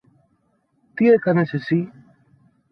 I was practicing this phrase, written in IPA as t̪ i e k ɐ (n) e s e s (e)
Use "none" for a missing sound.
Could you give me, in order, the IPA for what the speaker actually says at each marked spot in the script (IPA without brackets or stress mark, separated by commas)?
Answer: n, i